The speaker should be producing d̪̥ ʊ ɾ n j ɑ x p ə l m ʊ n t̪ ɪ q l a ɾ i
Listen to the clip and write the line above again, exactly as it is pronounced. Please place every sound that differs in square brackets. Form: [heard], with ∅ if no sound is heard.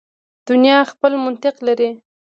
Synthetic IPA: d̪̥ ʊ [∅] n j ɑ x p ə l m ʊ n t̪ ɪ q l a ɾ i